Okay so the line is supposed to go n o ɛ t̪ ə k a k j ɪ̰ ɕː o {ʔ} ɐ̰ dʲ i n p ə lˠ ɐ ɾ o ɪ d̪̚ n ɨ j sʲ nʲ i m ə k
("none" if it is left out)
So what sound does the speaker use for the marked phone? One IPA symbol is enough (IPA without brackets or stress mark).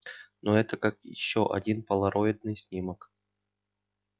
ʔ